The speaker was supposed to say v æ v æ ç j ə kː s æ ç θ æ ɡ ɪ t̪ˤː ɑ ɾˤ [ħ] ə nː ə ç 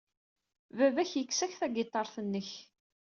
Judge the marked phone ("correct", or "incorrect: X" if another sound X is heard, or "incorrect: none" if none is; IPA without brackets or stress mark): incorrect: θ